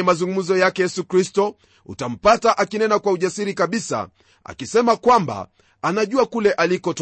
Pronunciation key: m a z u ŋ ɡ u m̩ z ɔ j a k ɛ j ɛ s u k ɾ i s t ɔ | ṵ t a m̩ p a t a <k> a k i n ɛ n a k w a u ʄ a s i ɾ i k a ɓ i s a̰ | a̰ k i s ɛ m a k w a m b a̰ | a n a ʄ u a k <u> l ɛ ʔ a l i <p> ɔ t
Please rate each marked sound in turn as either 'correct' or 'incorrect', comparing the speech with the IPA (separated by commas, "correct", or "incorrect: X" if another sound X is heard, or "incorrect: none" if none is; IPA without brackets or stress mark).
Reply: incorrect: ʔ, correct, incorrect: k